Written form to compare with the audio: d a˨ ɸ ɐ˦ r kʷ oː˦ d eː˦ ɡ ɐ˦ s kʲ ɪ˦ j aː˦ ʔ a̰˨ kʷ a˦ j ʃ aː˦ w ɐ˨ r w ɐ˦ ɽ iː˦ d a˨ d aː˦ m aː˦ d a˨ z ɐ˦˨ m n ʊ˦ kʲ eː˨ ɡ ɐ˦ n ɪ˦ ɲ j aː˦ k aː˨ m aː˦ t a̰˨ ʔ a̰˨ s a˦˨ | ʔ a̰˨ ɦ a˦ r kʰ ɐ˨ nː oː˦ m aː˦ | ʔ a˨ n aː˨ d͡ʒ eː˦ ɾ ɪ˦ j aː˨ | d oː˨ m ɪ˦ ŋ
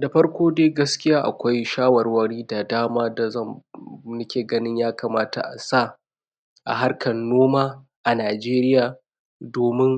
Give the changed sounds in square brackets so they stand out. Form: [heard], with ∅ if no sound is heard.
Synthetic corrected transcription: d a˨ ɸ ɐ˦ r kʷ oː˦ d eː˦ ɡ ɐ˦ s kʲ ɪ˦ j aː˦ ʔ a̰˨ kʷ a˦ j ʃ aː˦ w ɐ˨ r w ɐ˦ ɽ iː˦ d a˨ d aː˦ m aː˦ d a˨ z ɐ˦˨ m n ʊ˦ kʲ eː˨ ɡ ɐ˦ n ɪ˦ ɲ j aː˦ k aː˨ m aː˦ t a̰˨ ʔ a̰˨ s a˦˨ | ʔ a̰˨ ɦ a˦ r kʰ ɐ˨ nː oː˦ m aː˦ | ʔ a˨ n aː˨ d͡ʒ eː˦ ɾ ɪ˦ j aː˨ | d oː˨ m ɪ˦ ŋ

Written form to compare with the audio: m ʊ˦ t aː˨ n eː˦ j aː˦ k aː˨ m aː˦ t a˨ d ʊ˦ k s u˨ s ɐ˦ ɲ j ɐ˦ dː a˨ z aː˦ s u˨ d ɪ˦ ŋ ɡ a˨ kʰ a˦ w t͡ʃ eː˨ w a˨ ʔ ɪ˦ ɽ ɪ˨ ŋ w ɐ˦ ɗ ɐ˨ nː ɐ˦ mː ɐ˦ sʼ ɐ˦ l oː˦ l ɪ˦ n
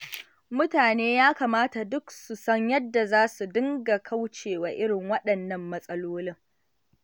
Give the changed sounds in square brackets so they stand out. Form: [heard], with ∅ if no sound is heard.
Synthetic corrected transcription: m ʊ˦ t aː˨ n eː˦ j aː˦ k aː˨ m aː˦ t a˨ d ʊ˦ k s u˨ s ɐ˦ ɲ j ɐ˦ dː a˨ z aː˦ s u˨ d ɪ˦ ŋ ɡ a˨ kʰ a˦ w t͡ʃ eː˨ w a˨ ʔ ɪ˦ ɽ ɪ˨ ŋ w ɐ˦ ɗ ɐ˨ nː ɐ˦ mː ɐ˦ sʼ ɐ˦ l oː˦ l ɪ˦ [ŋ]

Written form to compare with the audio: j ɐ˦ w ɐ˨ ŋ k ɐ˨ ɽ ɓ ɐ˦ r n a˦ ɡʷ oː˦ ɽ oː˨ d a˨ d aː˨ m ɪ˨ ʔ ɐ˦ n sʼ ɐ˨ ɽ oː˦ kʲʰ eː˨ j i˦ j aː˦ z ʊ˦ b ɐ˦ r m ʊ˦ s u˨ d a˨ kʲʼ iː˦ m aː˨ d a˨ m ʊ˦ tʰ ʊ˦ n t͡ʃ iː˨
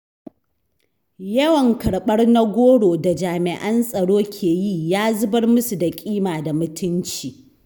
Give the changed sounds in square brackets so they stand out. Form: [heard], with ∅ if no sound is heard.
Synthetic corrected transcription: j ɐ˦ w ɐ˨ ŋ k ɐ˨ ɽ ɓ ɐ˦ r n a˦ ɡʷ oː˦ ɽ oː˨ d a˨ [d͡ʒ] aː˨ m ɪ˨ ʔ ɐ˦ n sʼ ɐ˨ ɽ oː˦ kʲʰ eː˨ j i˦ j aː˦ z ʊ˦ b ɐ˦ r m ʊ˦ s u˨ d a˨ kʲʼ iː˦ m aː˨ d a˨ m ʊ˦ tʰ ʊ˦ n t͡ʃ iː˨

